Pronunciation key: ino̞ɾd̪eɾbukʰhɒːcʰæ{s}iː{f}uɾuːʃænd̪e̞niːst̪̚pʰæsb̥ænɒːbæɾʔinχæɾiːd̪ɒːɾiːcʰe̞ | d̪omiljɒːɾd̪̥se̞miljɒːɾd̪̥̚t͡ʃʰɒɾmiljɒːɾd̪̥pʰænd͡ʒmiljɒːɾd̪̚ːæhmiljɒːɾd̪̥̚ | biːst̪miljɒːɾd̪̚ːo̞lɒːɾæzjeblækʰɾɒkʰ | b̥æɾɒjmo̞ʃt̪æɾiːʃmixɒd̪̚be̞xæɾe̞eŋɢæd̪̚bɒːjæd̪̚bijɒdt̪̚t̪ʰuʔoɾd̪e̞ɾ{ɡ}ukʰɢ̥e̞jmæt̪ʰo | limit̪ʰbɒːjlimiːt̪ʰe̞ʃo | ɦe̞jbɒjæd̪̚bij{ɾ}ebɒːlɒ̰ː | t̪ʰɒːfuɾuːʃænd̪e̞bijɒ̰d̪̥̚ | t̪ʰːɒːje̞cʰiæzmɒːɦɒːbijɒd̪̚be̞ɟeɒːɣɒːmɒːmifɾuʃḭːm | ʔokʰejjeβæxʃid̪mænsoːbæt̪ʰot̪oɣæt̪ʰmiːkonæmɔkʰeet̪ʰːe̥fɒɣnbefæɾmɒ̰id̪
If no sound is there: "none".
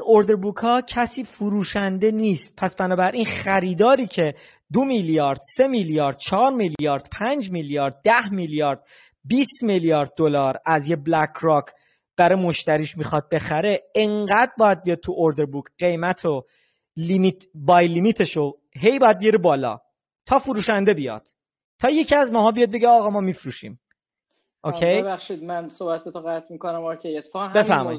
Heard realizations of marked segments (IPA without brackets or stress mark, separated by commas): s, f, b, ɾ